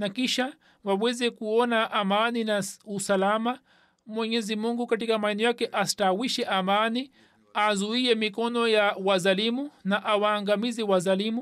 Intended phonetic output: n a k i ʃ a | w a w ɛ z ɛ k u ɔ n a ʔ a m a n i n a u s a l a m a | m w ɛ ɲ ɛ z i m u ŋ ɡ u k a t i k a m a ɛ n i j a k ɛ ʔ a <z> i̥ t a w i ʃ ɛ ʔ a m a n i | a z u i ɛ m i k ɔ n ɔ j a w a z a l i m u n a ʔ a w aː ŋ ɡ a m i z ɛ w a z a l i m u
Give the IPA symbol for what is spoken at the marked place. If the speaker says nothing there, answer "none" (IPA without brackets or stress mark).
s